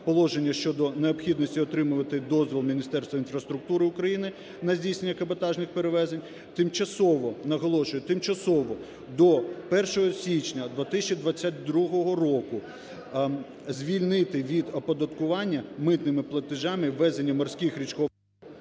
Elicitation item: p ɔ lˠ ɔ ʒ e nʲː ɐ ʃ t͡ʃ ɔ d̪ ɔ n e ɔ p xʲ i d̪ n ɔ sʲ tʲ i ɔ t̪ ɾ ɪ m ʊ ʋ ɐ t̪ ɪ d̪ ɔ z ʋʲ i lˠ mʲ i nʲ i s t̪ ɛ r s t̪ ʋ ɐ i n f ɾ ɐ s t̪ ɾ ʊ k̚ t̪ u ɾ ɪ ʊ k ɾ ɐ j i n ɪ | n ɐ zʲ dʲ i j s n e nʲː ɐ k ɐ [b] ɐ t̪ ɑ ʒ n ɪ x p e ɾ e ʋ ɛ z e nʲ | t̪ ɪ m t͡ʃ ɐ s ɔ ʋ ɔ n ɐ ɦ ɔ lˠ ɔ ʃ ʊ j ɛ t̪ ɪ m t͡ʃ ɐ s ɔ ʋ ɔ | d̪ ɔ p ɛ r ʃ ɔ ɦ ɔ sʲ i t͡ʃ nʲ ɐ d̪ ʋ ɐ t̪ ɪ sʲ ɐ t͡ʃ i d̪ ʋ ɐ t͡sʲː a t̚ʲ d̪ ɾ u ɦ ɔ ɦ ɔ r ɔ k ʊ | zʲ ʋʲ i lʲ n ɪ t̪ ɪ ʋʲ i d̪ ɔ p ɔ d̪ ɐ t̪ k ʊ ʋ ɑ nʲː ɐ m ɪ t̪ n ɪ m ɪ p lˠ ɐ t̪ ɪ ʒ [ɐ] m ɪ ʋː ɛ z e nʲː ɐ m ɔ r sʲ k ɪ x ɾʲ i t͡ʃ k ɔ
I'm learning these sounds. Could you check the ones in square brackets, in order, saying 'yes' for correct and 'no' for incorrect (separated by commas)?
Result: yes, no